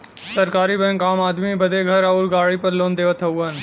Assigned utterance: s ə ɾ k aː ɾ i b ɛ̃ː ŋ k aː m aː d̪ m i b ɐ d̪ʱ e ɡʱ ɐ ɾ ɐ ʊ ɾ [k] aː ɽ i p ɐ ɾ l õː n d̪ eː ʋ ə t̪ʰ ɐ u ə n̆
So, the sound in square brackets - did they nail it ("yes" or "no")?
no